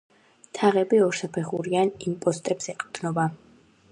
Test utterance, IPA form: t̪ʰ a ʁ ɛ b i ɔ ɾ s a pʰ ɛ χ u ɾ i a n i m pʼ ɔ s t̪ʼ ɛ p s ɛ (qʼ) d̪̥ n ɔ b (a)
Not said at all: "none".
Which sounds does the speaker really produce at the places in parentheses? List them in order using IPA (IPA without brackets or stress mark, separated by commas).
qʼ, a